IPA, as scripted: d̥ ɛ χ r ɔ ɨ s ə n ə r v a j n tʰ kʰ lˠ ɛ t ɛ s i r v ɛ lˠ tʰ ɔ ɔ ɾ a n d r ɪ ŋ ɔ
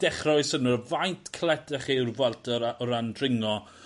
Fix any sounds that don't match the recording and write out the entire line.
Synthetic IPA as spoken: d̥ ɛ χ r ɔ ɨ s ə n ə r v a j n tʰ kʰ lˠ ɛ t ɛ χ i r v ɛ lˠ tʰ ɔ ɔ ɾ a n d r ɪ ŋ ɔ